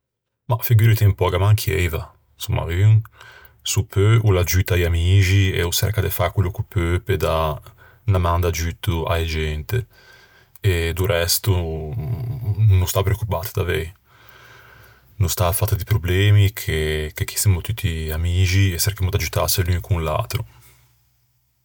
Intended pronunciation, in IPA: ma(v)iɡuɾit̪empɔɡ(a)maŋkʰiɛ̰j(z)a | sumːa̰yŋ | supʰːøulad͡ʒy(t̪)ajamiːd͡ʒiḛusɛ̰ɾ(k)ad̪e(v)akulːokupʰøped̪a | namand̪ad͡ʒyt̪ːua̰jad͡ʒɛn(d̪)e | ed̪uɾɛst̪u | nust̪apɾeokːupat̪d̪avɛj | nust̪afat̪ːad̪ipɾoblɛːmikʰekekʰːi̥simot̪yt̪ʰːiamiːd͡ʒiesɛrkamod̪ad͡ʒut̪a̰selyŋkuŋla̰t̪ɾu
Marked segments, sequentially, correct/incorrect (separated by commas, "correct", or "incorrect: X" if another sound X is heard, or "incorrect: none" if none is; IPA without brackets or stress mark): incorrect: f, correct, incorrect: v, correct, correct, incorrect: f, incorrect: t̪